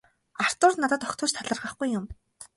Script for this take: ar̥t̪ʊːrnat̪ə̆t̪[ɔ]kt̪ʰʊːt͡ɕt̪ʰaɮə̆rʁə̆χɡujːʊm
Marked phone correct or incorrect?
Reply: correct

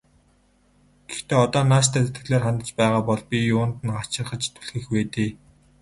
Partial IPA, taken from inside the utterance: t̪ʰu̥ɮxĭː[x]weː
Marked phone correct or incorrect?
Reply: correct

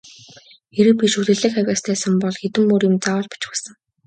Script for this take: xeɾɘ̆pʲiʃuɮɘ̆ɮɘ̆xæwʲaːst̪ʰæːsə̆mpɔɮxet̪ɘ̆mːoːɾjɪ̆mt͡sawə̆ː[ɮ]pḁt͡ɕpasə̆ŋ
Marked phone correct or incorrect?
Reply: correct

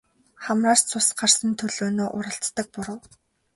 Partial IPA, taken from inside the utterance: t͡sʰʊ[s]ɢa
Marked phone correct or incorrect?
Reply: correct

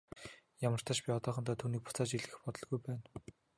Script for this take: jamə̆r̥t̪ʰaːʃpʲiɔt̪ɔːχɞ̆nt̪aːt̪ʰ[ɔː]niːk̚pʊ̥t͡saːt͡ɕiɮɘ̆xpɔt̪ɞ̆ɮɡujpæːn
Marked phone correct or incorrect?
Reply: incorrect: uː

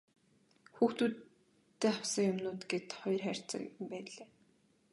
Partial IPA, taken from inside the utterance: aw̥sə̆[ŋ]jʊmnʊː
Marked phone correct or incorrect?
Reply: correct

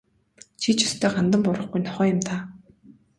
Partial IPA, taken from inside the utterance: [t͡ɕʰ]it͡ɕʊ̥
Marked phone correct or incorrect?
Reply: correct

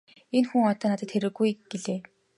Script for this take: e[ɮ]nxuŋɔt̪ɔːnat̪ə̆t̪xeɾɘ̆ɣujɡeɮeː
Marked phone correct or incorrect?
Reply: incorrect: none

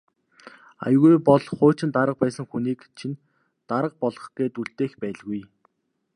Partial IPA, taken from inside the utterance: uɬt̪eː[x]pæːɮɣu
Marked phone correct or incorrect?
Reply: correct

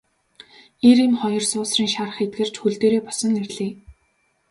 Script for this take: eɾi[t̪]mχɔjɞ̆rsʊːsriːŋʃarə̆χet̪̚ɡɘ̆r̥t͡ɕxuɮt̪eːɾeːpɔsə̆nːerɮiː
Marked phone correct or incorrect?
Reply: incorrect: none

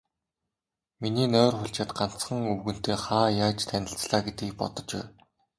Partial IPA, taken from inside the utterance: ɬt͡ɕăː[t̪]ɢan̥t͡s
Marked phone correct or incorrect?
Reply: correct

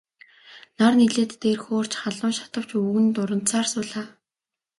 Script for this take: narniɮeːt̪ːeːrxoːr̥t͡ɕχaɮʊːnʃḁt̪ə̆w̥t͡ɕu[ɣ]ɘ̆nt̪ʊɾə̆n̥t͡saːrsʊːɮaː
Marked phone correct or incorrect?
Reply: correct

